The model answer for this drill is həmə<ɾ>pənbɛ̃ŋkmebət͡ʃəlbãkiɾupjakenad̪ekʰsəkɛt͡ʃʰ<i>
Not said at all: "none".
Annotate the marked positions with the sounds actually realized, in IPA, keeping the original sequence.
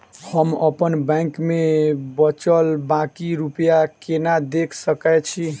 none, i

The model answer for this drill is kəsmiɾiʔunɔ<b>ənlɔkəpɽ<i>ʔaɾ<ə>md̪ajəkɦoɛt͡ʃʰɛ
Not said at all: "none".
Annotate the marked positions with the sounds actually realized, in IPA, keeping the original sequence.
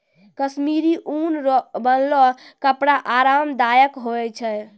b, a, a

